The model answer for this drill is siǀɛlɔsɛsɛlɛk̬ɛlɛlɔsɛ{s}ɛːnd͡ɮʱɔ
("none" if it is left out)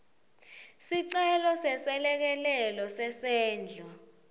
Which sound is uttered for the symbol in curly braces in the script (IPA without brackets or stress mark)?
s